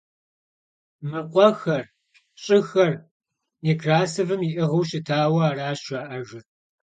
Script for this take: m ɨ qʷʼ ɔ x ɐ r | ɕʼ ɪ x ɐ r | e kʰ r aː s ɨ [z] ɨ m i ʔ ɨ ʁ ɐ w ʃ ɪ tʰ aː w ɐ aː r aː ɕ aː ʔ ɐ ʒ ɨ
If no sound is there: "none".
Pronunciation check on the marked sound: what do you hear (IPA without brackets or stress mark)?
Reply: v